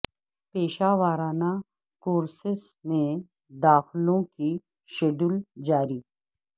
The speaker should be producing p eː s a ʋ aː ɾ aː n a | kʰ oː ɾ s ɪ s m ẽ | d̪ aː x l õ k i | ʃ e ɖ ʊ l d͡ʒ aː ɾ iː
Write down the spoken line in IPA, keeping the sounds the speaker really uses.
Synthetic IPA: p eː ʃ a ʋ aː ɾ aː n a | k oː ɾ s ɪ s m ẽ | d̪ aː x l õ k i | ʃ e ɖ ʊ l d͡ʒ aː ɾ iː